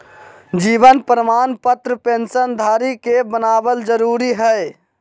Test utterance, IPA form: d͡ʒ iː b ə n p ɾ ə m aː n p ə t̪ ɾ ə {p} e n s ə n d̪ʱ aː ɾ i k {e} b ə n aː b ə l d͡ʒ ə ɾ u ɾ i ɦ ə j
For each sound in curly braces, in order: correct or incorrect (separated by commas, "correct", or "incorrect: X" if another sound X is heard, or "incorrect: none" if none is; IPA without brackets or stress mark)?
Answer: correct, correct